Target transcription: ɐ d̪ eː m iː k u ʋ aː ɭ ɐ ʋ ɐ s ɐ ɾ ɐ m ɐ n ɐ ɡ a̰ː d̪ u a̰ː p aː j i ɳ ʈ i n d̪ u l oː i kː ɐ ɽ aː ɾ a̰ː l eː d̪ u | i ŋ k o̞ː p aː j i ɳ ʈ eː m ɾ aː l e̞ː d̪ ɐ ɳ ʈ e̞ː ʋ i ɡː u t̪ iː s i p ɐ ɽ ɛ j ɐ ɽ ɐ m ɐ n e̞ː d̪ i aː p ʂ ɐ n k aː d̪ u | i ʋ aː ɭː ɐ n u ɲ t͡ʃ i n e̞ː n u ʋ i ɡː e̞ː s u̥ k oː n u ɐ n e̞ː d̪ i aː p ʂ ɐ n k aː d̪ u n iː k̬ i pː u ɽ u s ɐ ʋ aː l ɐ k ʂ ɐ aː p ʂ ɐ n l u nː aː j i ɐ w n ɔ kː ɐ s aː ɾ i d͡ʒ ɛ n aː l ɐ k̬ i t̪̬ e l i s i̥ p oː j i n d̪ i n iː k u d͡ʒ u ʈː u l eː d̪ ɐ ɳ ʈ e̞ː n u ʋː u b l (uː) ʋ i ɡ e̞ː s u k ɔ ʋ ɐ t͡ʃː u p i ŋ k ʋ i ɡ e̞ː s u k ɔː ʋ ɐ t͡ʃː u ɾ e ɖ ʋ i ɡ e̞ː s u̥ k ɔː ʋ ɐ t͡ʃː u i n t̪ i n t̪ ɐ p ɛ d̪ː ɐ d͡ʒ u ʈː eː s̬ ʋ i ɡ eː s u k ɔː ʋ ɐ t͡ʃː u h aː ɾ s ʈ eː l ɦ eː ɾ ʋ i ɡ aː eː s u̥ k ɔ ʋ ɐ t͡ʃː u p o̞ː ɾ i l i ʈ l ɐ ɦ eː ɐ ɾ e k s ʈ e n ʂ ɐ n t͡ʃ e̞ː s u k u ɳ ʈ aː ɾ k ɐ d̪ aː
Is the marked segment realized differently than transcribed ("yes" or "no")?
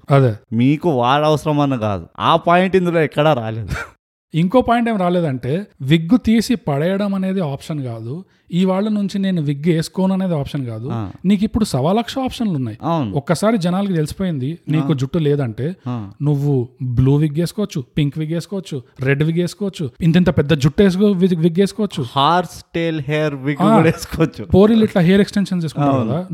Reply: no